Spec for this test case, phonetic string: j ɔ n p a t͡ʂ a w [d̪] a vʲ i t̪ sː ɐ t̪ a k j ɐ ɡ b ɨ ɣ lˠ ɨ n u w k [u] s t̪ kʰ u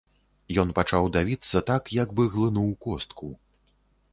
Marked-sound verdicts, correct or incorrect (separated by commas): correct, incorrect